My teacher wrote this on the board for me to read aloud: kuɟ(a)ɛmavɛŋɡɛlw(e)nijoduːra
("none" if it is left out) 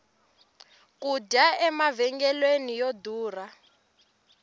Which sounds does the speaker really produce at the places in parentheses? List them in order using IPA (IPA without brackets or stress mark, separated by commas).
a, e